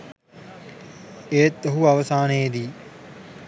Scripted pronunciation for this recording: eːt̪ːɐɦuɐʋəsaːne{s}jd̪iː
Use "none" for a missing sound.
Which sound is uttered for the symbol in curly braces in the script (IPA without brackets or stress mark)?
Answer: none